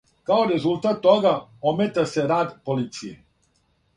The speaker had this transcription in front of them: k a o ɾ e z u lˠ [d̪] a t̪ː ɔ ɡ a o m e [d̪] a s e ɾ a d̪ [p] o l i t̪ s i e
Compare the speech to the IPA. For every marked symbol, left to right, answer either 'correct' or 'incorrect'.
incorrect: t̪, incorrect: t̪, correct

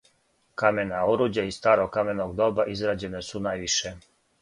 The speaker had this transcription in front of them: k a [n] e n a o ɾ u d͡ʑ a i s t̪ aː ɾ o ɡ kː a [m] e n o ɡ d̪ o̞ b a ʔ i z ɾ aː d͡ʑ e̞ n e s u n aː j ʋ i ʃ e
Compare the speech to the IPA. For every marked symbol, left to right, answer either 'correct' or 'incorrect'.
incorrect: m, correct

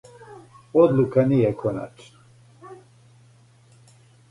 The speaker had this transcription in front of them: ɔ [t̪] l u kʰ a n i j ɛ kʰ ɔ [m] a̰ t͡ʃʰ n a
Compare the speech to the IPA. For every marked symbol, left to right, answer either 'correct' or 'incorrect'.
incorrect: d̪, incorrect: n

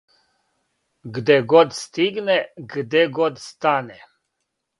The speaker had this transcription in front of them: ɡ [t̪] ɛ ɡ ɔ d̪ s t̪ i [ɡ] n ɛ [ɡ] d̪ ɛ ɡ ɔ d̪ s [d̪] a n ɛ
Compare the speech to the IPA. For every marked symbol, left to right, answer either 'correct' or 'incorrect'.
incorrect: d̪, correct, correct, incorrect: t̪

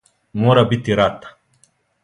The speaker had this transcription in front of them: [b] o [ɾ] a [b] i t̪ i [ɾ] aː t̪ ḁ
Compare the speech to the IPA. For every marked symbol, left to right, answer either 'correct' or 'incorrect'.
incorrect: m, correct, correct, correct

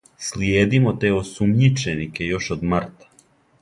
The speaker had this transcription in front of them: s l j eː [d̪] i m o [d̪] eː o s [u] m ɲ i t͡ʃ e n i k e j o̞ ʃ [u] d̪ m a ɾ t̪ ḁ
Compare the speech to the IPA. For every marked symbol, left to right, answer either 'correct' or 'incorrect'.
correct, incorrect: t̪, correct, incorrect: o

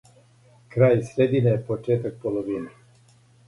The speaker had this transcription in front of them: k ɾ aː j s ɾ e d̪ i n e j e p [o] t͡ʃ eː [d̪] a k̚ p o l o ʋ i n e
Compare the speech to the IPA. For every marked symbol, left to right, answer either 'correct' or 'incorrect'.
correct, incorrect: t̪

